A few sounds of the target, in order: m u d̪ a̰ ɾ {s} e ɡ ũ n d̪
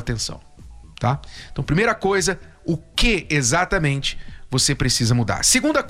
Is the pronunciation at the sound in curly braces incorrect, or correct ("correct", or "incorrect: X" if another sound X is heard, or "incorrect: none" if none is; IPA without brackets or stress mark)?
correct